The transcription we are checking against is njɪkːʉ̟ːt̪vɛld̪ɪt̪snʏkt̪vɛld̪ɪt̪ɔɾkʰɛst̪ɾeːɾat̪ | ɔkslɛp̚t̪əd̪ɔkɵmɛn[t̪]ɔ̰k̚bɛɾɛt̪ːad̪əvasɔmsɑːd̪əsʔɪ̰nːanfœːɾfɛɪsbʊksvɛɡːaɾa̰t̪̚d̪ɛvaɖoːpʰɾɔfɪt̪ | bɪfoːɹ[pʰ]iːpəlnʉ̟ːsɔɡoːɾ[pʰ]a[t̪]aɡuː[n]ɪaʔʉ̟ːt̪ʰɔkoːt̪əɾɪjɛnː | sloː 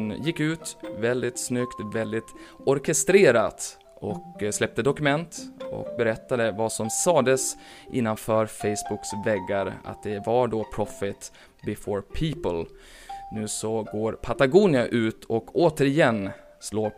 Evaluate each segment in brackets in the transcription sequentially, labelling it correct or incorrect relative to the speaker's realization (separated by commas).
correct, correct, correct, correct, correct